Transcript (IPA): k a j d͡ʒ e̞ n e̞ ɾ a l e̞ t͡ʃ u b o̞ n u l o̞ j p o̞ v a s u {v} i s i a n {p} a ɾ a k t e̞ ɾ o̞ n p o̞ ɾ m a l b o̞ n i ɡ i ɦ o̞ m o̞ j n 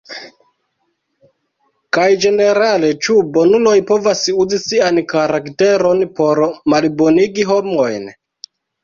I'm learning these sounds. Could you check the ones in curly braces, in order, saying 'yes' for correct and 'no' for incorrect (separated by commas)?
no, no